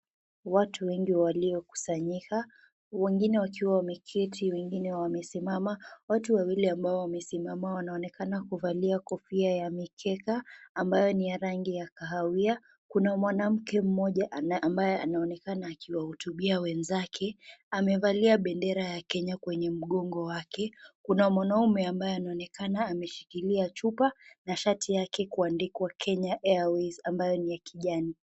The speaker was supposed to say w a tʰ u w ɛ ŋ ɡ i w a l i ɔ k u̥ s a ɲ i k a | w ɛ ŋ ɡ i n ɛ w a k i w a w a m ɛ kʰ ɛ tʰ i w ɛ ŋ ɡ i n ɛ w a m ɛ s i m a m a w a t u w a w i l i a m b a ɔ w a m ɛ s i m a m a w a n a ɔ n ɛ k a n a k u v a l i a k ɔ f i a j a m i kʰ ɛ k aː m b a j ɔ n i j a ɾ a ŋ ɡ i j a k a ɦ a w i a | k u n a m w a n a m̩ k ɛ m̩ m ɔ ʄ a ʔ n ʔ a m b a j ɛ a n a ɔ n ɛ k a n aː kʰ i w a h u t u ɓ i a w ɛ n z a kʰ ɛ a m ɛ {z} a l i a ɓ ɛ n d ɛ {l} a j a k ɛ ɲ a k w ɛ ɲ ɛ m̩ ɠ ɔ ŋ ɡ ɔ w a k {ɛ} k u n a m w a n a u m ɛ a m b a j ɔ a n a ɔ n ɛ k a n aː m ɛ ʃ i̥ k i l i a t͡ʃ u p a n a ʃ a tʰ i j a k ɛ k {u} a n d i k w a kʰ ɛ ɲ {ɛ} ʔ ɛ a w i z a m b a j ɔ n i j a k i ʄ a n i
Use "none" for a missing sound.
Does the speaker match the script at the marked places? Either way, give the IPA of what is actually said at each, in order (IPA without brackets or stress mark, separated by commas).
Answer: v, ɾ, ɛ, u, a